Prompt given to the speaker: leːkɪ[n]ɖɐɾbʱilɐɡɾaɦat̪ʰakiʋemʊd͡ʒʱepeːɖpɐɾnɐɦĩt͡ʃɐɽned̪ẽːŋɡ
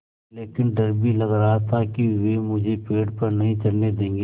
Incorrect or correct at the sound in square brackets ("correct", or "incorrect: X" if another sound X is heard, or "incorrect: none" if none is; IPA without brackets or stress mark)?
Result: correct